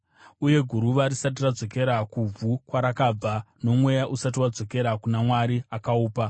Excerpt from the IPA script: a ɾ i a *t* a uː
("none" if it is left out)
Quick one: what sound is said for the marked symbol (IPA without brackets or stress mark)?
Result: k